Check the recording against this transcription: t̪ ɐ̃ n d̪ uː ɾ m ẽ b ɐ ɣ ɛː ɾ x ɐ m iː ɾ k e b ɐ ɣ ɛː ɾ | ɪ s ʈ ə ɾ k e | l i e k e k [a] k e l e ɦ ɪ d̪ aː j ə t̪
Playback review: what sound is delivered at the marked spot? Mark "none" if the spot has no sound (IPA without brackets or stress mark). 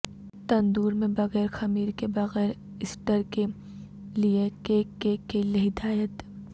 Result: e